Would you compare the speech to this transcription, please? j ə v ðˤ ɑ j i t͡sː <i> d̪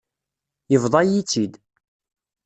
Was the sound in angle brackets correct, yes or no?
yes